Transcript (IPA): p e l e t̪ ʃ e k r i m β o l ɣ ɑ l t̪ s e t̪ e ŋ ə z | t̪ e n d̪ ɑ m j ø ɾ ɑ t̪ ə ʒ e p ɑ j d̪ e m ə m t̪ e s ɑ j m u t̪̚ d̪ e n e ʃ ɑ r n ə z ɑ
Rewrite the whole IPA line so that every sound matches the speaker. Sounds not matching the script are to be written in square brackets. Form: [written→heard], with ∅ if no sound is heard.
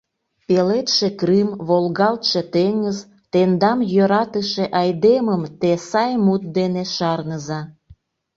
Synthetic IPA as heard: p e l e t̪ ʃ e k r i m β o l ɣ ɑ l t̪ [s→ʃ] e t̪ e ŋ ə z | t̪ e n d̪ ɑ m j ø ɾ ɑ t̪ ə [ʒ→ʃ] e [p→ʔ] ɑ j d̪ e m ə m t̪ e s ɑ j m u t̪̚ d̪ e n e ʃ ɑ r n ə z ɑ